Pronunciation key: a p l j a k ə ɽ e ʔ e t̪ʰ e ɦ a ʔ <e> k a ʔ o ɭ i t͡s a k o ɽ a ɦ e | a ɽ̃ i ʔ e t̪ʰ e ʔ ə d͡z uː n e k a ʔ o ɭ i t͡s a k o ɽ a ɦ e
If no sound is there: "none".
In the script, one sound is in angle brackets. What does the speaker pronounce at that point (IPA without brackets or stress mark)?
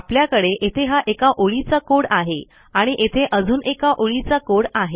e